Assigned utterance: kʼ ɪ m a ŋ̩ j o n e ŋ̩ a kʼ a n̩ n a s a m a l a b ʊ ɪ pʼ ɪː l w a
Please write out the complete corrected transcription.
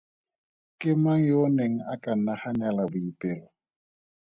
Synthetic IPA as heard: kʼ ɪ m a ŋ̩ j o n e ŋ̩ a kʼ a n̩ n a h a ɲ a l a b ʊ i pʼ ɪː l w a